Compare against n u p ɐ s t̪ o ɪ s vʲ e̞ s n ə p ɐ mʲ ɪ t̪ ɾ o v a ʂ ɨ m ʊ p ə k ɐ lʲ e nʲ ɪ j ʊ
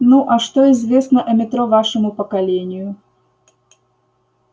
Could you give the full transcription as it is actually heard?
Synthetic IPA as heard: n u ʔ ɐ ʂ t̪ o ɪ z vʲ e̞ s n ə ʔ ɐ mʲ ɪ t̪ ɾ o v a ʂ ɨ m ʊ p ə k ɐ lʲ e nʲ ɪ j ʊ